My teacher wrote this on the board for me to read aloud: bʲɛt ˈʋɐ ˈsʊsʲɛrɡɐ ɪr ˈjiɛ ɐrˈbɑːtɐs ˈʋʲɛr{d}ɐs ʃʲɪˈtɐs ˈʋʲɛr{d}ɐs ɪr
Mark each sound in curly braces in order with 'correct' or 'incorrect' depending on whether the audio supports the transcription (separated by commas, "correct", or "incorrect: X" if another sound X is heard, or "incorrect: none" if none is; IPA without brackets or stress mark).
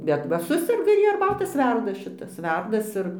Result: correct, correct